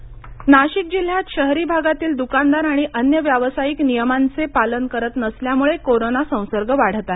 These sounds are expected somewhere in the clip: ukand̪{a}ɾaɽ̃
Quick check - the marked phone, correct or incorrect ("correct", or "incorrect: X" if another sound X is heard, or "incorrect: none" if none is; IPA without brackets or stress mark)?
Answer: correct